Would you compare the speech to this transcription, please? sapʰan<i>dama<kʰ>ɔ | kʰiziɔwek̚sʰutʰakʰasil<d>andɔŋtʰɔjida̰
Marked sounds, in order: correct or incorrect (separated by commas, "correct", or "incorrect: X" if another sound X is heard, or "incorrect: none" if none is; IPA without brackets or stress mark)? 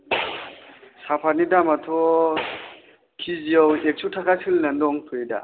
correct, incorrect: tʰ, incorrect: n